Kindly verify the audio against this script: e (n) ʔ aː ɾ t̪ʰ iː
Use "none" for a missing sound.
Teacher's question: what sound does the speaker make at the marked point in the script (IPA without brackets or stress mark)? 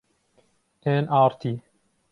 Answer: n